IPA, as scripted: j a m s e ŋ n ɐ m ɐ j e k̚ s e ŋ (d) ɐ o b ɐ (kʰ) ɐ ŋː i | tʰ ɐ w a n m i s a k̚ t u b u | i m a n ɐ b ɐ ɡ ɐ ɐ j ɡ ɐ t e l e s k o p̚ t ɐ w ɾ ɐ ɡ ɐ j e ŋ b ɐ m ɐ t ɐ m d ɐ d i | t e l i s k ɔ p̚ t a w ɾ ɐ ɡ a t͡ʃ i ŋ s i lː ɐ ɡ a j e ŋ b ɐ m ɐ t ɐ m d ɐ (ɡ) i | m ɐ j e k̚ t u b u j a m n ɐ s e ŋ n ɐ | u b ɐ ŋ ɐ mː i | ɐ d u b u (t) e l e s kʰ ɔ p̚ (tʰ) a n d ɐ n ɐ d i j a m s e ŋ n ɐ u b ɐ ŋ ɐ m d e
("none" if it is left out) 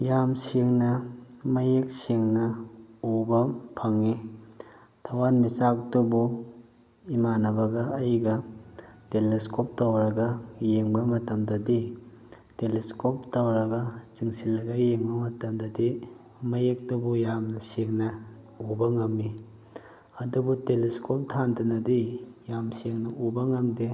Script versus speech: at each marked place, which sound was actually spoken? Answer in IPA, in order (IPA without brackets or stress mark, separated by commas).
n, pʰ, d, t, tʰ